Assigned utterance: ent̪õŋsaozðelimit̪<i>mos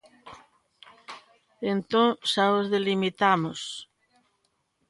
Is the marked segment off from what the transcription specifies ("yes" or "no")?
yes